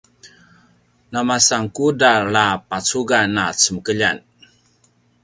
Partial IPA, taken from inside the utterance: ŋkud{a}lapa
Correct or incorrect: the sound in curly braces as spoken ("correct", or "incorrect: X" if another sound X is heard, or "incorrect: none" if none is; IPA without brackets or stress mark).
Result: correct